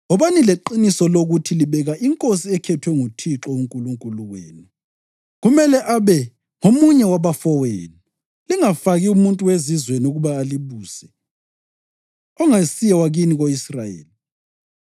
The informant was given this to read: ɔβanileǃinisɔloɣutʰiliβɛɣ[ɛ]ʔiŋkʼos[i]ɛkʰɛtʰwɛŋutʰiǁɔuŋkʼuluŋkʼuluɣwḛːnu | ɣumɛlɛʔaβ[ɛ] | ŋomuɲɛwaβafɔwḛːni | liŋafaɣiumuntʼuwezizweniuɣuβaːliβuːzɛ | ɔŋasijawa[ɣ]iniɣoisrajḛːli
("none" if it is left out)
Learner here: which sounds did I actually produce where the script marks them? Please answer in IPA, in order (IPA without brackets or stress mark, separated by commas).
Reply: a, i, ɛ, ɣ